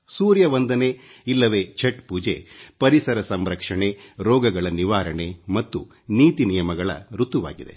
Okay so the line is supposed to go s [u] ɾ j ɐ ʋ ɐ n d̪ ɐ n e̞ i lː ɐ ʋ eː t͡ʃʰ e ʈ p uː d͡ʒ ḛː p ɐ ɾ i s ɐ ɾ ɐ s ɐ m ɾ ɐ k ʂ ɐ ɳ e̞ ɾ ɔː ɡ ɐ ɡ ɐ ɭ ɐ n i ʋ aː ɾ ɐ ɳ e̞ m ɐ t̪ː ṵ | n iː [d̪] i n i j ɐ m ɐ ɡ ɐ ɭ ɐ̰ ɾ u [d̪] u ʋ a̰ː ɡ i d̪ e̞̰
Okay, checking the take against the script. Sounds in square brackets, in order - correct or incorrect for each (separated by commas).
incorrect, incorrect, incorrect